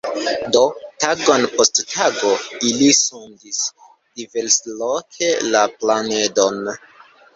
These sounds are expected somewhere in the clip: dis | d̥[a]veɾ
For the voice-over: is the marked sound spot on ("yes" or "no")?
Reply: no